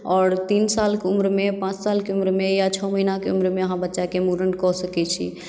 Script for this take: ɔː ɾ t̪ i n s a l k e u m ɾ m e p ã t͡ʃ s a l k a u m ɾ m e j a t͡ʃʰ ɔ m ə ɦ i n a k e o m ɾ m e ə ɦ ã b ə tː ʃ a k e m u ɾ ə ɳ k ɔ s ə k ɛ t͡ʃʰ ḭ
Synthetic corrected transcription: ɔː ɾ t̪ i n s a l k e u m ɾ m e p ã t͡ʃ s a l k e u m ɾ m e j a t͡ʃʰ ɔ m ə ɦ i n a k e u m ɾ m e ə ɦ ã b ə tː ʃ a k e m u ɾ ə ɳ k ɔ s ə k ɛ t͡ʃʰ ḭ